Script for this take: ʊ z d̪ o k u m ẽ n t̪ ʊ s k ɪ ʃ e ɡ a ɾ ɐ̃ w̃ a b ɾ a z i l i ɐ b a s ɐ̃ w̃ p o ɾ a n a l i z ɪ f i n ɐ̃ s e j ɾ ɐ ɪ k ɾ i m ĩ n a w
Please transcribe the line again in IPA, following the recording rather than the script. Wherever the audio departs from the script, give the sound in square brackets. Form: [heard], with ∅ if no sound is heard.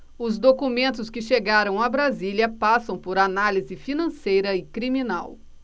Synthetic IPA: ʊ z d̪ o k u m ẽ n t̪ ʊ s k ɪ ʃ e ɡ a ɾ ɐ̃ w̃ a b ɾ a z i l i ɐ [p] a s ɐ̃ w̃ p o ɾ a n a l i z ɪ f i n ɐ̃ s e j ɾ ɐ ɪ k ɾ i m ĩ n a w